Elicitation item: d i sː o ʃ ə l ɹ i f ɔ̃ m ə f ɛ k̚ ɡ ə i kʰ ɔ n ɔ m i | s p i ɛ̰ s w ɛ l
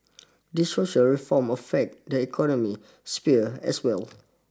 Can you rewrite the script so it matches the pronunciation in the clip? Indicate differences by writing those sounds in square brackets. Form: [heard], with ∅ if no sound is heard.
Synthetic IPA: d i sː o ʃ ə l ɹ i f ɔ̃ m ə f ɛ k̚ [d] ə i kʰ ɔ n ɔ m i | s p i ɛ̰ s w ɛ l